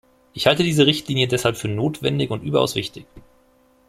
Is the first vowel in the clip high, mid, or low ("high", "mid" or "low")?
high